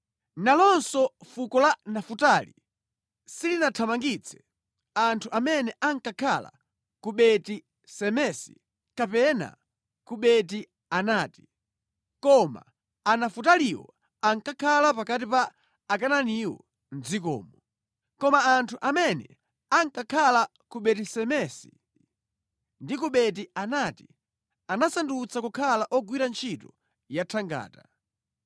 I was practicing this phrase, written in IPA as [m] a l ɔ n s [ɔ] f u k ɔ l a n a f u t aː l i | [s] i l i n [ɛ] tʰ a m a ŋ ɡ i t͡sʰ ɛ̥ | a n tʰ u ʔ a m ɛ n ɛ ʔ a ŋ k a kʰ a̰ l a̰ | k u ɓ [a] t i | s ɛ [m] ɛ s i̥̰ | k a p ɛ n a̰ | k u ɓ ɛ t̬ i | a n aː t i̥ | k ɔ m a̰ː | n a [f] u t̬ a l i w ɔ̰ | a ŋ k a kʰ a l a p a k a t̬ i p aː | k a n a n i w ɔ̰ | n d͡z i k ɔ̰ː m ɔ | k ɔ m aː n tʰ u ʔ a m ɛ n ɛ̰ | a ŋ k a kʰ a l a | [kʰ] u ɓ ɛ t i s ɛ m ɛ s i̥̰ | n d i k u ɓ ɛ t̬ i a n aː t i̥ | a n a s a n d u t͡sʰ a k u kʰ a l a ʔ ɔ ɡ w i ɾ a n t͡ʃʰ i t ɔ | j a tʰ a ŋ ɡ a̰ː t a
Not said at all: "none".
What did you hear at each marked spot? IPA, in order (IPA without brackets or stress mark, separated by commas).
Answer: n, ɔ, s, a, ɛ, m, f, k